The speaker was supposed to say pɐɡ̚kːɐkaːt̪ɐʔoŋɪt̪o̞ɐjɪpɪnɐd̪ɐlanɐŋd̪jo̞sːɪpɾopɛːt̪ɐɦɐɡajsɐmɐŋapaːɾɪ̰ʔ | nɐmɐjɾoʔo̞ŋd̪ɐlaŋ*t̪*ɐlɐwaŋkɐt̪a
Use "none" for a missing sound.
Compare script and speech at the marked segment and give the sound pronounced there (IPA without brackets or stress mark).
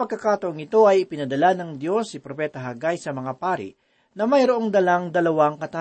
d̪